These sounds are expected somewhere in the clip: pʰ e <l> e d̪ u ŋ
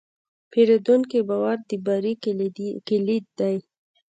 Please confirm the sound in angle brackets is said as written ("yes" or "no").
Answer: no